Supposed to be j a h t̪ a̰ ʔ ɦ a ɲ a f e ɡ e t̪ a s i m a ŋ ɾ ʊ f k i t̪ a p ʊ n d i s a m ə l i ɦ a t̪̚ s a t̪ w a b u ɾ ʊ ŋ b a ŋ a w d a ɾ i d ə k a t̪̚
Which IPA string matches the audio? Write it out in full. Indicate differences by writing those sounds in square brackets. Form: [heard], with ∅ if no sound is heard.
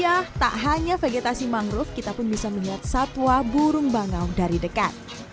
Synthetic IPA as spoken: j a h t̪ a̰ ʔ ɦ a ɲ a f e ɡ e t̪ a s i m a ŋ ɾ ʊ f k i t̪ a p ʊ n [b] i s a m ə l i ɦ a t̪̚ s a t̪ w a b u ɾ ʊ ŋ b a ŋ a w d a ɾ i d ə k a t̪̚